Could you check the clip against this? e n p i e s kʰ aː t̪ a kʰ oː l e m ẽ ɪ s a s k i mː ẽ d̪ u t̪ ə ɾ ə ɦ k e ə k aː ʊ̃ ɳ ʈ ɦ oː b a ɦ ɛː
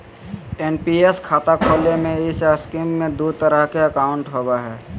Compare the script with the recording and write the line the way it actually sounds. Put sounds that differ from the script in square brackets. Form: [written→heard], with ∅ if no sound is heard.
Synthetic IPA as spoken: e n p i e s kʰ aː t̪ a kʰ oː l e m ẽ ɪ s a s k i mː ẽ d̪ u t̪ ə ɾ ə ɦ k e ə k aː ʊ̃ ɳ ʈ ɦ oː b a ɦ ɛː